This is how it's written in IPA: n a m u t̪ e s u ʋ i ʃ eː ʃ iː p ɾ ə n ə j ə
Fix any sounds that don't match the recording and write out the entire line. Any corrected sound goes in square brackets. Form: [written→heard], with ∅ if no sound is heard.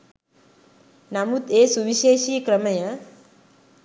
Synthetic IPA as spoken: n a m u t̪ e s u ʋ i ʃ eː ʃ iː [p→k] ɾ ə [n→m] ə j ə